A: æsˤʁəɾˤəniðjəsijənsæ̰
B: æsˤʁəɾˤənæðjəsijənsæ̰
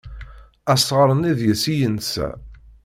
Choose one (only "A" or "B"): A